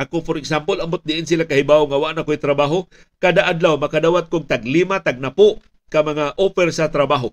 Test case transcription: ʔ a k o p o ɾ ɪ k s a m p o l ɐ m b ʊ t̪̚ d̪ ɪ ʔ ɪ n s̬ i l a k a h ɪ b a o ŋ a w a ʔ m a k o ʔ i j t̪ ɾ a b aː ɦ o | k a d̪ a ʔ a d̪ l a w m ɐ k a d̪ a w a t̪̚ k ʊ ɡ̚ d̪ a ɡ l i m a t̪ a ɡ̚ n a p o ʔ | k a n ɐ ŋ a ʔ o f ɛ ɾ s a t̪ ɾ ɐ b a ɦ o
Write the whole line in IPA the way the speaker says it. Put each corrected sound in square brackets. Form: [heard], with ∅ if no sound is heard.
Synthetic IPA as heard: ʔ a k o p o ɾ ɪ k s a m p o l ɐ m b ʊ t̪̚ d̪ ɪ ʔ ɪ n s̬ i l a k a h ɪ b a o ŋ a w a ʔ [n] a k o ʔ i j t̪ ɾ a b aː ɦ o | k a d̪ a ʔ a d̪ l a w m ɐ k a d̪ a w a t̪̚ k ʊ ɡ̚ [t̪] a ɡ l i m a t̪ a ɡ̚ n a p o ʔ | k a [m] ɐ ŋ a ʔ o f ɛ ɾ s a t̪ ɾ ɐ b a ɦ o